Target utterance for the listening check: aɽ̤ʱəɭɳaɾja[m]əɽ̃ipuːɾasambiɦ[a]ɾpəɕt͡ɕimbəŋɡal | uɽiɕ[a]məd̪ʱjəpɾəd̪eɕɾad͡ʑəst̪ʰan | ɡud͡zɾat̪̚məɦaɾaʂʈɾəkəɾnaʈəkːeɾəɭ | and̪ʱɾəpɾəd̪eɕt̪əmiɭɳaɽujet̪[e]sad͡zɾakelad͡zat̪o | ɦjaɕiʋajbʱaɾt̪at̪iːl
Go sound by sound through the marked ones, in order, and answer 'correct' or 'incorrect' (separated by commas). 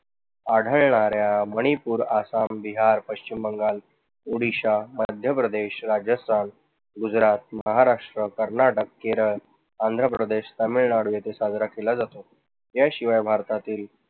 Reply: correct, correct, correct, correct